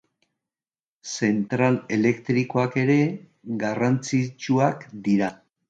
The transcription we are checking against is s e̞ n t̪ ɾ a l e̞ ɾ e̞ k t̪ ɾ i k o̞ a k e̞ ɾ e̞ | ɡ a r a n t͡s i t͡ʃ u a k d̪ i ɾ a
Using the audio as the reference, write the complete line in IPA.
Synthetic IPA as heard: s e̞ n t̪ ɾ a l e̞ l e̞ k t̪ ɾ i k o̞ a k e̞ ɾ e̞ | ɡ a r a n t͡s i t͡ʃ u a k d̪ i ɾ a